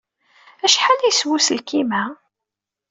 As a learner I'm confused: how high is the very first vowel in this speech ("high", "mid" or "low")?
low